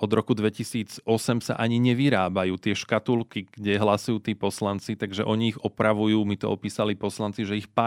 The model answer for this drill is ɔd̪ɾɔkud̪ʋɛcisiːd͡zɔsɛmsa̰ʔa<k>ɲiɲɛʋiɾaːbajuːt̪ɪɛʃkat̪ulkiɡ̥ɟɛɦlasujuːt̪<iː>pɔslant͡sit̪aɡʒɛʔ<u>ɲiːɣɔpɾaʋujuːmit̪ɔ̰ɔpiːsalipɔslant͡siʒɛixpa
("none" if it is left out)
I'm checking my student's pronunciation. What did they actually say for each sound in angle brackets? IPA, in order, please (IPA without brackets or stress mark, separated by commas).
none, iː, ɔ